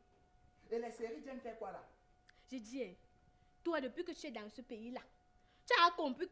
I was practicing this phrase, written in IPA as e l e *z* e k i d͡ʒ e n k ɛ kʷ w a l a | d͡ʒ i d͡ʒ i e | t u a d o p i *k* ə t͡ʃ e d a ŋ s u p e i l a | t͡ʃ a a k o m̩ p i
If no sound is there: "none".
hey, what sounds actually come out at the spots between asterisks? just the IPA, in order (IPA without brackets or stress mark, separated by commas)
s, k